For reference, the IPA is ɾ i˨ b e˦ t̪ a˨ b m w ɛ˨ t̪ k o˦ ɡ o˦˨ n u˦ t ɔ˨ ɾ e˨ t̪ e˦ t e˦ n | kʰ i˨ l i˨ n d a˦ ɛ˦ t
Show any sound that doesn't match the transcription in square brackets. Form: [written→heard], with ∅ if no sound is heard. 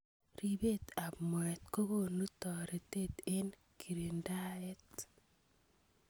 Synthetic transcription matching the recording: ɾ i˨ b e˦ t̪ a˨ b m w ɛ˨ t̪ k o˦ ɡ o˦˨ n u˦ t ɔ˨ ɾ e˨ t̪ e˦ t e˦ n | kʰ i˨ [l→ɾ] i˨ n d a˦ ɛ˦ t